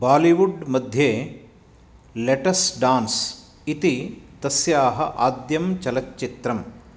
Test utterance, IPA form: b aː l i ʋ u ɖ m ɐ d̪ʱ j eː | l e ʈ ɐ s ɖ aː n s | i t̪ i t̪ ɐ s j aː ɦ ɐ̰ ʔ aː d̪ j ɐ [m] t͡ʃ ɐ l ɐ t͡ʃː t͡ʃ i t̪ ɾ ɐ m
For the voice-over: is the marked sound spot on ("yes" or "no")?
yes